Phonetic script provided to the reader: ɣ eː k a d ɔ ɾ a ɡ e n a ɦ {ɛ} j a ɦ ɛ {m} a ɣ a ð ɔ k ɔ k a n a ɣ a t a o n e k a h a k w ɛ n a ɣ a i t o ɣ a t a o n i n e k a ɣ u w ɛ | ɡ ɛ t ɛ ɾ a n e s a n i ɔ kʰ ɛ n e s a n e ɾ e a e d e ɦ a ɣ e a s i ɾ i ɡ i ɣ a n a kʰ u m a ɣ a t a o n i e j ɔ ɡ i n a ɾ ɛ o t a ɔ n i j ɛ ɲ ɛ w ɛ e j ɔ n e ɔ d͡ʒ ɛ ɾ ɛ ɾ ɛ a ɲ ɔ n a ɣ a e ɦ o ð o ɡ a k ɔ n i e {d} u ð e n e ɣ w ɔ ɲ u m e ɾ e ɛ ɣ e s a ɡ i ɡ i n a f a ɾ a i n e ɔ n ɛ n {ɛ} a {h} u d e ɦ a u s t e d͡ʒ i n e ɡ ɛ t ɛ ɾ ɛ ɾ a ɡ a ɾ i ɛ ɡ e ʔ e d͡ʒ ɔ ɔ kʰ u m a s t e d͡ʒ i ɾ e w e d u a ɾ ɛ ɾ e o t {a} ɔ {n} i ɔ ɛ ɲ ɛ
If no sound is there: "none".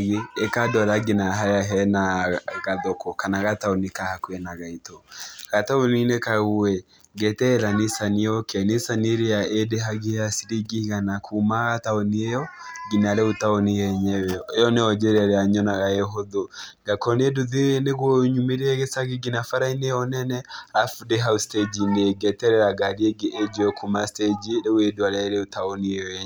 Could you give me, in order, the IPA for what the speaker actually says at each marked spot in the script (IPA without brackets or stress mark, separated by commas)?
a, n, d, ɛ, f, a, n